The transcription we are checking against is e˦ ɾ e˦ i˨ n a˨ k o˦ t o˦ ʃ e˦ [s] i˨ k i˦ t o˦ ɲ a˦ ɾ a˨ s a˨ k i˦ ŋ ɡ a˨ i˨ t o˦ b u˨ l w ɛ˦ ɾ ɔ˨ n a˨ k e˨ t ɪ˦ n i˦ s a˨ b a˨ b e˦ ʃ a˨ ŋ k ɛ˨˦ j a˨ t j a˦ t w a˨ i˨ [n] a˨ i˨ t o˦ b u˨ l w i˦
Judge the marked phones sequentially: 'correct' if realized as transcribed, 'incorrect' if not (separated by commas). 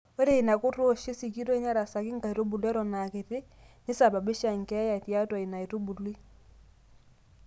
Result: correct, correct